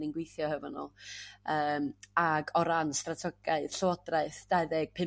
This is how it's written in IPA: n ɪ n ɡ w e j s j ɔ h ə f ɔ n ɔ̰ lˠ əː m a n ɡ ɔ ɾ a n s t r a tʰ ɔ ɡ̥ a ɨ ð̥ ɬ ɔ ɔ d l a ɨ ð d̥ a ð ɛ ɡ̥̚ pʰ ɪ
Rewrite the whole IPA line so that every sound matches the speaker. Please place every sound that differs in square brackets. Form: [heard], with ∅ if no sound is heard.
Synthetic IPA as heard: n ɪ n ɡ w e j [θ] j ɔ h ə [v] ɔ n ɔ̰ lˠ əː m a [∅] ɡ ɔ ɾ a n s t r a tʰ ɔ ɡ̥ a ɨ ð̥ ɬ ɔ ɔ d [r] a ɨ [θ] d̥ a ð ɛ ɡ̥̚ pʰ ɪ